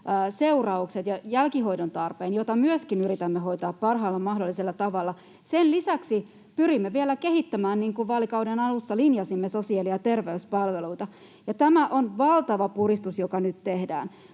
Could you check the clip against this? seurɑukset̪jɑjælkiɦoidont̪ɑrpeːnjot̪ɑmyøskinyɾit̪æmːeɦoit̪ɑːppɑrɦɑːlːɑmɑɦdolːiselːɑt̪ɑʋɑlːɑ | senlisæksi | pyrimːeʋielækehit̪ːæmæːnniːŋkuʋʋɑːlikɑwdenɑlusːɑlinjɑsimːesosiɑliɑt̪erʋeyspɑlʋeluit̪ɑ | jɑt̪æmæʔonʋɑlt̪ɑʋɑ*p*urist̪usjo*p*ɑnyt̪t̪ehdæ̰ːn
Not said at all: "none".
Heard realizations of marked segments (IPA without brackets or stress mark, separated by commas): p, k